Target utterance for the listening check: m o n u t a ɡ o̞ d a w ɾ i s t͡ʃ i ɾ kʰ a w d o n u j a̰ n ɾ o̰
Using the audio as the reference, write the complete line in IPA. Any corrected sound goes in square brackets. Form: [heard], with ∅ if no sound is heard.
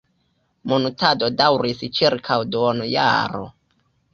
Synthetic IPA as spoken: m o n u t a [d] o̞ d a w ɾ i s t͡ʃ i ɾ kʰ a w d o n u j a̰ [∅] ɾ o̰